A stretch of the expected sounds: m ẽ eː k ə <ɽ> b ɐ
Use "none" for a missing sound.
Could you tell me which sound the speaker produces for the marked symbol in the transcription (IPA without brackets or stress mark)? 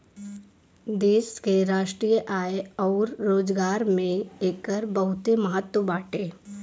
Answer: ɾ